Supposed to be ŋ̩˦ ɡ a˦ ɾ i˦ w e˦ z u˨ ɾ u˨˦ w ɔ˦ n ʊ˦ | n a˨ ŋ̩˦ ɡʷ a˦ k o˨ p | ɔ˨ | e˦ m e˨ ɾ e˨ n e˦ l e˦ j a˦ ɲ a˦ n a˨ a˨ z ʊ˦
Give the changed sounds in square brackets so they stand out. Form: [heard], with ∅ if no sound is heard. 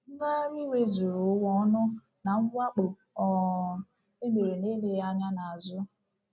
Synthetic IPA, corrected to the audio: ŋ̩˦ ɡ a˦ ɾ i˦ w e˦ z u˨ ɾ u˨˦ w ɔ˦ n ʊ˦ | n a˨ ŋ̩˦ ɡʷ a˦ [k͡p] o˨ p | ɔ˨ | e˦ m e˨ ɾ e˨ n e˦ l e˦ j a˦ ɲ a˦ n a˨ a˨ z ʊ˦